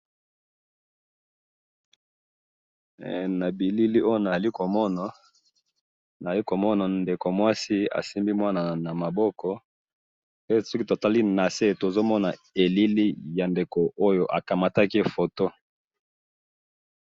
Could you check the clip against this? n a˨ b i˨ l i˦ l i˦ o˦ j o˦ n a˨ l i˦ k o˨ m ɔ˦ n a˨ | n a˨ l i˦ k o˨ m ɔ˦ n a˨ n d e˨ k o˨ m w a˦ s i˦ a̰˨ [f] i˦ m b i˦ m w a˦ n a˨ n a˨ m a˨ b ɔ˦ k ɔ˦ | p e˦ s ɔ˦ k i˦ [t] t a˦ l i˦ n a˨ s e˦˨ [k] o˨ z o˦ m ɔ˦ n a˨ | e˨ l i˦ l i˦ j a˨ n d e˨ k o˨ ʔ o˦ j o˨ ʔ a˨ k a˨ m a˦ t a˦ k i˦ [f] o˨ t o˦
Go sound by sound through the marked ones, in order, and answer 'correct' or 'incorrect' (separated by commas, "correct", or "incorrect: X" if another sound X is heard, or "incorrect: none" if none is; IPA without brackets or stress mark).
incorrect: s, correct, incorrect: t, correct